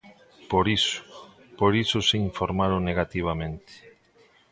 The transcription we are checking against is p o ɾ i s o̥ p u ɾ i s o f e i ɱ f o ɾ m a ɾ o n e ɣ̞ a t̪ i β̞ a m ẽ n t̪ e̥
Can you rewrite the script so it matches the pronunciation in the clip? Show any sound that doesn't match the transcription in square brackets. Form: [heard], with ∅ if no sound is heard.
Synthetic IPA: p o ɾ i s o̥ p [o] ɾ i s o [s] e i ɱ f o ɾ m a ɾ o n e ɣ̞ a t̪ i β̞ a m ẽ n t̪ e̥